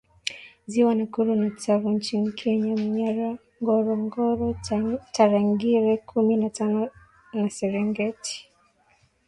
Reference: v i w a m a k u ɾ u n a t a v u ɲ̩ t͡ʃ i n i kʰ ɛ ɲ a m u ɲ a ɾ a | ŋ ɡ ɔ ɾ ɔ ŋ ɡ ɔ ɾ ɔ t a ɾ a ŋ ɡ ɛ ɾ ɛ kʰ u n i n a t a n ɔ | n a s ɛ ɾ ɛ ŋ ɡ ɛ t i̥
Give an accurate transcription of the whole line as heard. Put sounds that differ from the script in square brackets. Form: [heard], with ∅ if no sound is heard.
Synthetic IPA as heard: [z] i w a [n] a k u ɾ u n a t a v u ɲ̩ t͡ʃ i n i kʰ ɛ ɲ a m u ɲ a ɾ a | ŋ ɡ ɔ ɾ ɔ ŋ ɡ ɔ ɾ ɔ t a ɾ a ŋ ɡ [i] ɾ ɛ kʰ u [m] i n a t a n ɔ | n a s ɛ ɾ ɛ ŋ ɡ ɛ t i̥